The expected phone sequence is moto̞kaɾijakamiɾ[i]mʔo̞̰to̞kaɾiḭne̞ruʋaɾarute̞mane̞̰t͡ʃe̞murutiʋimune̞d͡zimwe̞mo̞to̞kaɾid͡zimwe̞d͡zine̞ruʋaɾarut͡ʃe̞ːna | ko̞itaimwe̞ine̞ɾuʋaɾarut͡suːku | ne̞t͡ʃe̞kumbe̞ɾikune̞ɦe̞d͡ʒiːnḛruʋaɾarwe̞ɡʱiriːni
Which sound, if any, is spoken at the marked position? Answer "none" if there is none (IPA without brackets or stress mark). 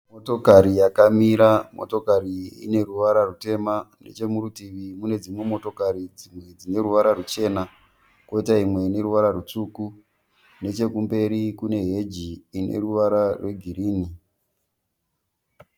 a